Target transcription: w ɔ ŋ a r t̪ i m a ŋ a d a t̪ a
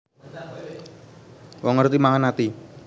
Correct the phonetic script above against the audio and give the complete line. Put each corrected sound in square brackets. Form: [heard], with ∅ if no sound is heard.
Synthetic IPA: w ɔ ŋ [ə] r t̪ i m a ŋ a [n] a t̪ [i]